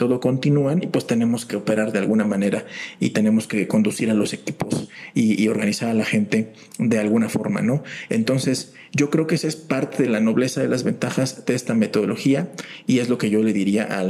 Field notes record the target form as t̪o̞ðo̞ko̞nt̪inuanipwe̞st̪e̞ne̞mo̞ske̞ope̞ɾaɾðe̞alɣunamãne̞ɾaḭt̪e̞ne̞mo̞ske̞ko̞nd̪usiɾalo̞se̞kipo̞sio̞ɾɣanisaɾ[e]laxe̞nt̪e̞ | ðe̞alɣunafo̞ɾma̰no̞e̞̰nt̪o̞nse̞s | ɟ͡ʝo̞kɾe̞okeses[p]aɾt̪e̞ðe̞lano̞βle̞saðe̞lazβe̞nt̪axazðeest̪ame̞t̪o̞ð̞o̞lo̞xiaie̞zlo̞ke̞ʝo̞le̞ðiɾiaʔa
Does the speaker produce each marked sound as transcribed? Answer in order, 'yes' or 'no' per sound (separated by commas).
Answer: no, yes